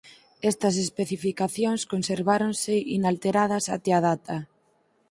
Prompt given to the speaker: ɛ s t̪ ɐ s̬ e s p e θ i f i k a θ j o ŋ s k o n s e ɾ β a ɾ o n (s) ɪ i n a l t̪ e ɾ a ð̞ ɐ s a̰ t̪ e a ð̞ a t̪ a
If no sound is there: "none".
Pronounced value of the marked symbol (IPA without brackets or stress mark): s